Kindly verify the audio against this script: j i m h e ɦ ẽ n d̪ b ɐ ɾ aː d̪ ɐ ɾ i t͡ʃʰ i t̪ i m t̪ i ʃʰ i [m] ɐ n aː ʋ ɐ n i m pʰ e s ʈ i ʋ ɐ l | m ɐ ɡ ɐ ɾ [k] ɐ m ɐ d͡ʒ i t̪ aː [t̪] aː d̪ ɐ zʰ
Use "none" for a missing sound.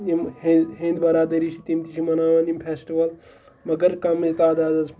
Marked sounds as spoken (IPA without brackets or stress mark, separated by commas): m, k, d̪